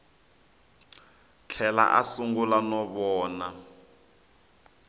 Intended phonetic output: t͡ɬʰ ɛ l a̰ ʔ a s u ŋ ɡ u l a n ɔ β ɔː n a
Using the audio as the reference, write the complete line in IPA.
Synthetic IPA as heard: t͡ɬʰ ɛ l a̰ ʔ a s u ŋ ɡ u l a n ɔ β ɔː n a